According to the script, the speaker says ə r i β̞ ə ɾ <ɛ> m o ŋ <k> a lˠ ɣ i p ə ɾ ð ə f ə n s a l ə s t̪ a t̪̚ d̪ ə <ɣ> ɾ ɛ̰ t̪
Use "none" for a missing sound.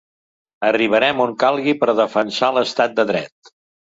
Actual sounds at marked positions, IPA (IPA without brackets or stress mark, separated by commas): ɛ, k, ð